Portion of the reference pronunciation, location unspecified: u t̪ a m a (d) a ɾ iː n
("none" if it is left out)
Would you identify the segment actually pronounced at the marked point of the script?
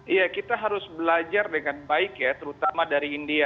d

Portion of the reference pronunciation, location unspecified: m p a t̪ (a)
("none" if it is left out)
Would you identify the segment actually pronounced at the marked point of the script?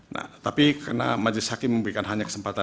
a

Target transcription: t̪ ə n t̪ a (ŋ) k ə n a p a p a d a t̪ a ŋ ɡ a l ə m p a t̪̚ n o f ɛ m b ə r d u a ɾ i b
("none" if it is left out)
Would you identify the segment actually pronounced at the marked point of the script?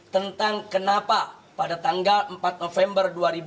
ŋ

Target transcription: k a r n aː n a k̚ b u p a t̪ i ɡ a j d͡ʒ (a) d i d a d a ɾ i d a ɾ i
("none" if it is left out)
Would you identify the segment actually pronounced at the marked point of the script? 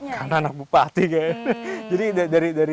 a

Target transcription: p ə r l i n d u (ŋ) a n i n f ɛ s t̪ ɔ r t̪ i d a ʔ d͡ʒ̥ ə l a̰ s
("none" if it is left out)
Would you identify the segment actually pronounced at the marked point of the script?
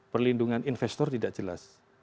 ŋ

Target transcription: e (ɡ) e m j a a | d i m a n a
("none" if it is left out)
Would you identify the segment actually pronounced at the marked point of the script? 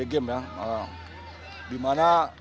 ɡ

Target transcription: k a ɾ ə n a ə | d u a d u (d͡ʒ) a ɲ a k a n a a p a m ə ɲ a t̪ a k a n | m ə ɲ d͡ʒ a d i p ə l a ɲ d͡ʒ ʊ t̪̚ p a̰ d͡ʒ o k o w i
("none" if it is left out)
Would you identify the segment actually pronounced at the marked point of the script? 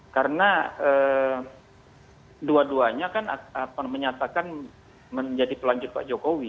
none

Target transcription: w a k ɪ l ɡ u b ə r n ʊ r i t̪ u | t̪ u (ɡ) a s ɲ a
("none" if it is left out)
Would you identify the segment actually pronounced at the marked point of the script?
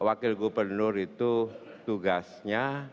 ɡ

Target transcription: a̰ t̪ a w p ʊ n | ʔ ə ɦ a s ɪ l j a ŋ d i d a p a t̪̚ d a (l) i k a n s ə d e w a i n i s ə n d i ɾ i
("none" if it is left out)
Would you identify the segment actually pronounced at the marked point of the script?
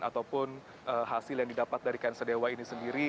ɾ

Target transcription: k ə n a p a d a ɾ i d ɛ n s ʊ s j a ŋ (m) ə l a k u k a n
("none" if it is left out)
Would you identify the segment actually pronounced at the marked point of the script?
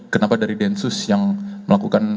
m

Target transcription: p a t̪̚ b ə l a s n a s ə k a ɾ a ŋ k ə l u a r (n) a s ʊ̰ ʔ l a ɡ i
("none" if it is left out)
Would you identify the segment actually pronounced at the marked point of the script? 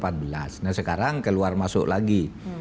m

